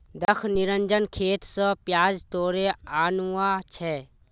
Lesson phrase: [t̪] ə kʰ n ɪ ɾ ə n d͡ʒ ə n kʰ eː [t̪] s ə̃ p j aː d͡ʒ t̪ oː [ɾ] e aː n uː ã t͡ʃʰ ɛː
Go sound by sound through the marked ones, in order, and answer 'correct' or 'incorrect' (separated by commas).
incorrect, correct, correct